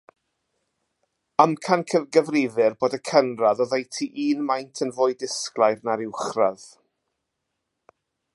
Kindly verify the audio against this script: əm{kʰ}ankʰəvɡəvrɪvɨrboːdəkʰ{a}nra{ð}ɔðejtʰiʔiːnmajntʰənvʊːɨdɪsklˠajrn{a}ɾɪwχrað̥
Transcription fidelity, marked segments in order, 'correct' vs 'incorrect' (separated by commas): correct, incorrect, correct, correct